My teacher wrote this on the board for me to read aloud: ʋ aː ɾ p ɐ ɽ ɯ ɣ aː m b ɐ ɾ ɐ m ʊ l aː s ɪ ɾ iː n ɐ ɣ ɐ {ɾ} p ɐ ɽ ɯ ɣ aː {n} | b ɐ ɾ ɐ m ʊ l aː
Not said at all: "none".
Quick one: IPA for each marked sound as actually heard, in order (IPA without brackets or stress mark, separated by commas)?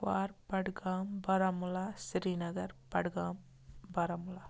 ɾ, m